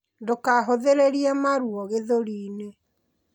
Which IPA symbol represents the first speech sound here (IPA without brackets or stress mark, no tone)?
d